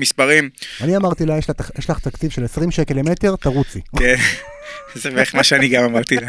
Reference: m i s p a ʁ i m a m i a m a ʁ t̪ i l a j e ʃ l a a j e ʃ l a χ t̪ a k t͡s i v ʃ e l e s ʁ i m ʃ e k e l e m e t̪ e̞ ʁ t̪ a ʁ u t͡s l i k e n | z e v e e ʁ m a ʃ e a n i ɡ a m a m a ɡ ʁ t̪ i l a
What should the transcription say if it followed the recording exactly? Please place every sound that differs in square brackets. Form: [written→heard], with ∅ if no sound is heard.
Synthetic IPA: m i s p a ʁ i m a [m→n] i a m a ʁ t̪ i l a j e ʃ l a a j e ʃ l a χ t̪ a k t͡s i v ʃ e l e s ʁ i m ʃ e k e l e m e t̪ e̞ ʁ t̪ a ʁ u t͡s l i k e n | z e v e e [ʁ→χ] m a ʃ e a n i ɡ a m a m a [ɡ→∅] ʁ t̪ i l a